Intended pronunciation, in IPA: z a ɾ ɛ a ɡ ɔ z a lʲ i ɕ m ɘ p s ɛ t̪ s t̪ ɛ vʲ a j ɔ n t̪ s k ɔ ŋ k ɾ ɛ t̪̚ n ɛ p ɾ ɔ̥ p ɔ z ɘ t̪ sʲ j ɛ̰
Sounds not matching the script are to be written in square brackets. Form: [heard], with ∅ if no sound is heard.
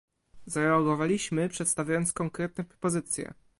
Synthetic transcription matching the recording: z a ɾ ɛ a ɡ ɔ [v] a lʲ i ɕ m ɘ p [ʂ] ɛ t̪ s t̪ [a] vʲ a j ɔ n t̪ s k ɔ ŋ k ɾ ɛ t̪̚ n ɛ p ɾ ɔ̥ p ɔ z ɘ t̪ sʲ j ɛ̰